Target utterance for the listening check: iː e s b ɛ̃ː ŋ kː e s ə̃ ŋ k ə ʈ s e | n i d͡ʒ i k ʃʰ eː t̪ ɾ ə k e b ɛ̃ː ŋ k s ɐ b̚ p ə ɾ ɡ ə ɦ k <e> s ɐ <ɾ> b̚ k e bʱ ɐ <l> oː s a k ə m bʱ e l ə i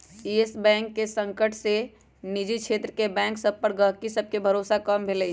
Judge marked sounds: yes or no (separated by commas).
no, no, no